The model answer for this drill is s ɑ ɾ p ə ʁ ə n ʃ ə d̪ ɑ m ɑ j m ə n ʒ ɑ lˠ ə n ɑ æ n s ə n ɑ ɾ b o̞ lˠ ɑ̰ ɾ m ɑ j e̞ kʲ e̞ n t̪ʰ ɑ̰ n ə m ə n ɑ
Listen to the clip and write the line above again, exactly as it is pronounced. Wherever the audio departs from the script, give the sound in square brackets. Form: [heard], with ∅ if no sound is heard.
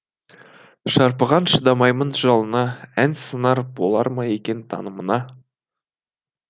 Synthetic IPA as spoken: [ʃ] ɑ ɾ p ə ʁ [ɑ] n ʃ ə d̪ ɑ m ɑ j m ə n ʒ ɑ lˠ ə n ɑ æ n s ə n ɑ ɾ b o̞ lˠ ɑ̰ ɾ m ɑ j e̞ kʲ e̞ n t̪ʰ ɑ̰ n ə m ə n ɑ